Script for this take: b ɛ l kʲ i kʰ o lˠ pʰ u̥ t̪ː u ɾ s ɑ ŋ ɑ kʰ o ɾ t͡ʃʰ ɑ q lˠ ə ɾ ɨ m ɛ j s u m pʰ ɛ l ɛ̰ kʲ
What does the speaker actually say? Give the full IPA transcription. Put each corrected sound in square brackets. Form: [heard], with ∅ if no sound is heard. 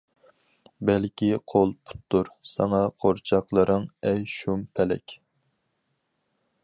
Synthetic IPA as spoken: b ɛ l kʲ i [qʰ] o lˠ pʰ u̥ t̪ː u ɾ s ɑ ŋ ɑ [qʰ] o ɾ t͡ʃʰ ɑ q lˠ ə ɾ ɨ [ŋ] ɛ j [ʃ] u m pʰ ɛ l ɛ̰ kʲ